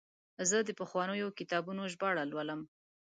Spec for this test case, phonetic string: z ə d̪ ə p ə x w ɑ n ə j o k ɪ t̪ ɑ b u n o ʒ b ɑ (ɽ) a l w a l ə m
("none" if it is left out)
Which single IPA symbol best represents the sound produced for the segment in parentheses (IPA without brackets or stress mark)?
ɽ